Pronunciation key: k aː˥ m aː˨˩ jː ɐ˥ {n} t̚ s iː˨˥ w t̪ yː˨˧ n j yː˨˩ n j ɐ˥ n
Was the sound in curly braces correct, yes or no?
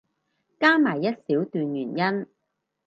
no